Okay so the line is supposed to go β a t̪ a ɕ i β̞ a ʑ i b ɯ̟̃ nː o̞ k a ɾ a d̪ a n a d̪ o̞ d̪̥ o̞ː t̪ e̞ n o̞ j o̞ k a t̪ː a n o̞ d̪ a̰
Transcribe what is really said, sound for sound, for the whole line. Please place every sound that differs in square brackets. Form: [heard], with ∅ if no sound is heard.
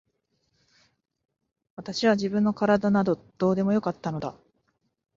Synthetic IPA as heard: β a t̪ a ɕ i β̞ a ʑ i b ɯ̟̃ nː o̞ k a ɾ a d̪ a n a d̪ o̞ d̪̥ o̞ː [d̪] e̞ [m] o̞ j o̞ k a t̪ː a n o̞ d̪ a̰

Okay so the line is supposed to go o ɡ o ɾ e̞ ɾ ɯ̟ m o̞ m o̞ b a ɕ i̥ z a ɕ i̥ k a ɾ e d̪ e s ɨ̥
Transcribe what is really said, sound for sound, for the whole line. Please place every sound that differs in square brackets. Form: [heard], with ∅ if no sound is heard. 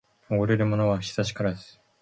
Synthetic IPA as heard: o ɡ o ɾ e̞ ɾ ɯ̟ m o̞ [n] o̞ [β] a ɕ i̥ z a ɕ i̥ k a ɾ [a] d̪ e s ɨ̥

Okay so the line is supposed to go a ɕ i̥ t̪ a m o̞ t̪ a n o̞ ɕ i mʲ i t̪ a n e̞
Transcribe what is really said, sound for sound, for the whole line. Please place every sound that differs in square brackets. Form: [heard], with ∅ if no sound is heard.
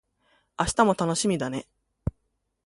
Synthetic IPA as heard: a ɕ i̥ t̪ a m o̞ t̪ a n o̞ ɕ i mʲ i [d̪] a n e̞

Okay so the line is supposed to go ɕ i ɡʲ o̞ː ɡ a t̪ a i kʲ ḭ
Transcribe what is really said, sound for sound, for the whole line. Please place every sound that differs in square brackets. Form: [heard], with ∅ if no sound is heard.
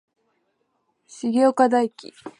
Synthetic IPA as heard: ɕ i ɡʲ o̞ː [k] a [d̪] a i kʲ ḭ

